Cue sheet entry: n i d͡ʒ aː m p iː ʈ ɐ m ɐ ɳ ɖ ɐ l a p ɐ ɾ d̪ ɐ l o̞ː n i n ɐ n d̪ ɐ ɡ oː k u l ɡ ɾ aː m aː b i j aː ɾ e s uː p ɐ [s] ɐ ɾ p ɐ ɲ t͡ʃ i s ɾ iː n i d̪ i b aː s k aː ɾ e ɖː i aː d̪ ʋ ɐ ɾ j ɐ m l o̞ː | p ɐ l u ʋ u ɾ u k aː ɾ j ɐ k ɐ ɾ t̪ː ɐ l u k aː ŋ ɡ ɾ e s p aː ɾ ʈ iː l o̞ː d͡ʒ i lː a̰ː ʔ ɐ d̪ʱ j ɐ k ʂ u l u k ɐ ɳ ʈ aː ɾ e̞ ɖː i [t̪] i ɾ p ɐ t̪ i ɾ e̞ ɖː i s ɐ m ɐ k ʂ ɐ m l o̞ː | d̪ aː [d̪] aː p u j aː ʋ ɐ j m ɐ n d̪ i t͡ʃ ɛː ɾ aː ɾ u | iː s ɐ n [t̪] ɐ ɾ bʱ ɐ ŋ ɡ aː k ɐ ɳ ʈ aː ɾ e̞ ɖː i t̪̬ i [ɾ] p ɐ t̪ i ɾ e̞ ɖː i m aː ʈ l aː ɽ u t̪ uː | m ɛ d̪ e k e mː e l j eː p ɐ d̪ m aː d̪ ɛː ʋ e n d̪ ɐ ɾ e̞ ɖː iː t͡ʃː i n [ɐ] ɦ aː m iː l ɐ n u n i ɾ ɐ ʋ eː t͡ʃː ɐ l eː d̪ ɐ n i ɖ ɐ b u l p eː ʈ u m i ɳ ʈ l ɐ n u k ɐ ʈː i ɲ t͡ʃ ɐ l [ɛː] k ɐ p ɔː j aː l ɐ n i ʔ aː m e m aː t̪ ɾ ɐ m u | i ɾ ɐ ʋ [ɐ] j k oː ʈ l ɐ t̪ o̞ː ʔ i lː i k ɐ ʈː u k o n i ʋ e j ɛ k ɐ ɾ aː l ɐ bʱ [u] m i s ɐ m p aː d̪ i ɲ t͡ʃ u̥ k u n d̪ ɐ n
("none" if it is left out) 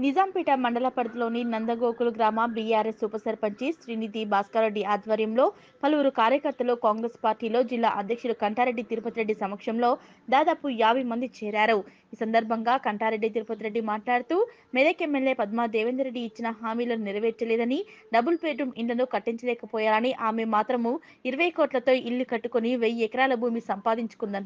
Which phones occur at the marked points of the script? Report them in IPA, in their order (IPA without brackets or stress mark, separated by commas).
s, t̪, d̪, d̪, ɾ, ɐ, ɛː, ɐ, uː